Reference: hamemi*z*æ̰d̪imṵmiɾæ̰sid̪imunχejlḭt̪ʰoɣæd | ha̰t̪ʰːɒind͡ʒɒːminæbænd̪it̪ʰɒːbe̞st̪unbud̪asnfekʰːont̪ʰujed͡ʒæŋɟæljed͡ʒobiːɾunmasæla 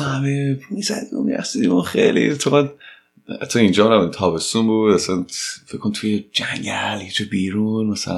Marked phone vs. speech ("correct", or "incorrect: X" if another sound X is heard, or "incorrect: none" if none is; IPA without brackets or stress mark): correct